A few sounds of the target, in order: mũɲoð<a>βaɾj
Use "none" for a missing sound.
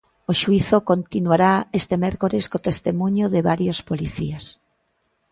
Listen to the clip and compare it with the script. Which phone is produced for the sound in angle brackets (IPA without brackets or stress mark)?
e